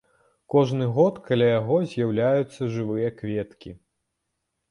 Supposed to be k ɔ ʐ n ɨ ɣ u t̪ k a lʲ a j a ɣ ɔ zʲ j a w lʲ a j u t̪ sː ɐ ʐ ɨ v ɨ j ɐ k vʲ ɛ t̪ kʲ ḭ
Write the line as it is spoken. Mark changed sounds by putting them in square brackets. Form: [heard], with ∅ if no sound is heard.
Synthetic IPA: k ɔ ʐ n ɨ ɣ [ɔ] t̪ k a lʲ a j a ɣ ɔ zʲ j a w lʲ a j u t̪ sː ɐ ʐ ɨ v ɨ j ɐ k vʲ ɛ t̪ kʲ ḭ